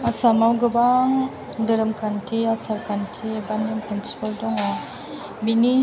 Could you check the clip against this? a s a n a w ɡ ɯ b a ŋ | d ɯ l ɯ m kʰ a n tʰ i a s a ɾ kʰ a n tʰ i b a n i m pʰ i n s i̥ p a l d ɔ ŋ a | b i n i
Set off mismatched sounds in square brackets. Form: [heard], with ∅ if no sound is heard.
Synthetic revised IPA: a s a [m] a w ɡ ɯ b a ŋ | d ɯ [ɾ] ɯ m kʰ a n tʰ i a s a ɾ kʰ a n tʰ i b a n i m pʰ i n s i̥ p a l d ɔ ŋ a | b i n i

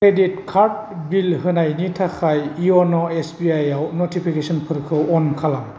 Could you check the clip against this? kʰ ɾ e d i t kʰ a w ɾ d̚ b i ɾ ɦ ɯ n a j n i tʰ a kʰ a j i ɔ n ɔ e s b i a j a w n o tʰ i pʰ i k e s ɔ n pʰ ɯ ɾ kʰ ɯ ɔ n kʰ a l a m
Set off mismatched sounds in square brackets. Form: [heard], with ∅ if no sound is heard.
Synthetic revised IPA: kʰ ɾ e d i t kʰ a [∅] ɾ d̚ b i [l] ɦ ɯ n a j n i tʰ a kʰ a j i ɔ n ɔ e s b i a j a w n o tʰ i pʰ i k e s ɔ n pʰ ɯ ɾ kʰ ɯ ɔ n kʰ a l a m

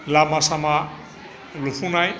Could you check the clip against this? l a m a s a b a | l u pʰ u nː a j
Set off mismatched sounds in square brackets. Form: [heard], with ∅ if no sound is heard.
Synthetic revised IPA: l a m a s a [m] a | l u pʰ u [n] a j

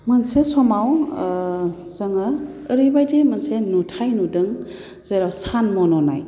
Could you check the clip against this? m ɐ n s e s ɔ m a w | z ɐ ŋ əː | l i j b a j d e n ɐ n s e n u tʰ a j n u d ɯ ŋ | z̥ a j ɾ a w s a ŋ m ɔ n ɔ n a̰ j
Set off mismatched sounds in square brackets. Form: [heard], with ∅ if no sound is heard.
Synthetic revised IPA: m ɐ n s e s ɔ m a w | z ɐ ŋ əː | [ɾ] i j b a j d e [m] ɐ n s e n u tʰ a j n u d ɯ ŋ | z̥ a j ɾ a w s a [n] m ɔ n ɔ n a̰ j

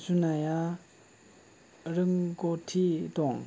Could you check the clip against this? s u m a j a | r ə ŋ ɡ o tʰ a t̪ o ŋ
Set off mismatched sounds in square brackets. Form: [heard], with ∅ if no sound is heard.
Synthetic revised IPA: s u [n] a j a | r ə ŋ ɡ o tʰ [i] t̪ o ŋ

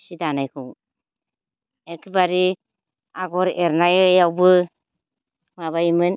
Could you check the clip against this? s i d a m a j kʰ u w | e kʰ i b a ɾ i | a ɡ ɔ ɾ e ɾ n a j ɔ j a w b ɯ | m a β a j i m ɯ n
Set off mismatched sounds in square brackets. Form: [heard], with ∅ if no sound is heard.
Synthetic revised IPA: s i d a [n] a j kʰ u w | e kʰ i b a ɾ i | a ɡ ɔ ɾ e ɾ n a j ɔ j a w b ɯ | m a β a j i m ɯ n

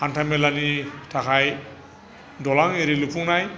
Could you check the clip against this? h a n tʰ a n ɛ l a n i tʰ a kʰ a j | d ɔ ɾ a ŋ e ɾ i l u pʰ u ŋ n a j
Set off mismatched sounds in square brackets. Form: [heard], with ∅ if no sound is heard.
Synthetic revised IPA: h a n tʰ a [m] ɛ l a n i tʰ a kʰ a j | d ɔ [l] a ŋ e ɾ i l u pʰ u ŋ n a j

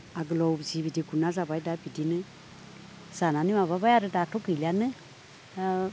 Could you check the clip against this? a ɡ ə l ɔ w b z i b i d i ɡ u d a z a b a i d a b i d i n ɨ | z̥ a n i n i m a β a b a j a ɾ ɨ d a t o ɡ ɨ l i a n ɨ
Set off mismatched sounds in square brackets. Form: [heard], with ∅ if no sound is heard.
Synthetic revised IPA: a ɡ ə l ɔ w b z i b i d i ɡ u [n] a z a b a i d a b i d i n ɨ | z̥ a n [a] n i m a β a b a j a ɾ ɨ d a t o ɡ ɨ l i a n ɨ

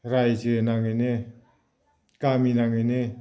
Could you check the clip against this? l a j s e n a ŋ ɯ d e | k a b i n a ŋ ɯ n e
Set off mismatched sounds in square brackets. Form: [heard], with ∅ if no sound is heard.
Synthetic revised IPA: [ɾ] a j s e n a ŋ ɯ [n] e | k a [m] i n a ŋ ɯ n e

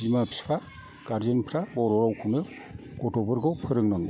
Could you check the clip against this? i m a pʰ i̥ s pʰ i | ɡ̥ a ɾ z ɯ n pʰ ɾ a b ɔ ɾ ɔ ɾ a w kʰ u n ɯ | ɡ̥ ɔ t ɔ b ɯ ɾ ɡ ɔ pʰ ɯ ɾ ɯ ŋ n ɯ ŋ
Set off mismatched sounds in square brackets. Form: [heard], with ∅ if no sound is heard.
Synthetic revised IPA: i m a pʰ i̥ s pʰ [a] | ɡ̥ a ɾ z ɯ n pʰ ɾ a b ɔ ɾ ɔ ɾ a w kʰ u n ɯ | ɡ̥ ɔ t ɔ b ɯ ɾ ɡ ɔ pʰ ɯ ɾ ɯ ŋ n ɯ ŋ

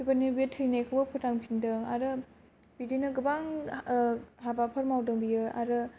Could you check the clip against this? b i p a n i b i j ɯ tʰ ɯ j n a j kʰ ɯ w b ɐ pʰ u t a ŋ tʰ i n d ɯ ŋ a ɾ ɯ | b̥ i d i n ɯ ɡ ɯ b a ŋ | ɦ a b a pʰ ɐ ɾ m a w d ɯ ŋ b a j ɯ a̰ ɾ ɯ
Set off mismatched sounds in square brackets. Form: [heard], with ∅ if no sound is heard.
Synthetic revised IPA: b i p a n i b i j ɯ tʰ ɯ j n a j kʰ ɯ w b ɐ pʰ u t a ŋ [pʰ] i n d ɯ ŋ a ɾ ɯ | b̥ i d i n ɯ ɡ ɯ b a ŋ | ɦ a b a pʰ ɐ ɾ m a w d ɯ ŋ b [i] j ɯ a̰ ɾ ɯ

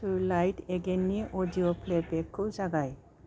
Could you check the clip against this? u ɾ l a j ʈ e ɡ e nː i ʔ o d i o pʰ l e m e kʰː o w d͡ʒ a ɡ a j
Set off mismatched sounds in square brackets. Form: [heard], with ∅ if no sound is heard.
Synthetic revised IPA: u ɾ l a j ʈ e ɡ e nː i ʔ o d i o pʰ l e [b] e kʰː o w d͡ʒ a ɡ a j

